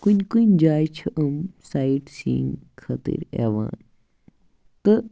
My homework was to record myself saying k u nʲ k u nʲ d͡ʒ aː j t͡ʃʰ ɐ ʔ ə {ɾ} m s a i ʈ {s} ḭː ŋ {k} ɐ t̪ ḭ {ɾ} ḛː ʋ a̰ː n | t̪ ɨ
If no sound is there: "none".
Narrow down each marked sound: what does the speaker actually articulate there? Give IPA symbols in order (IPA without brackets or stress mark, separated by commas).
none, s, kʰ, ɾ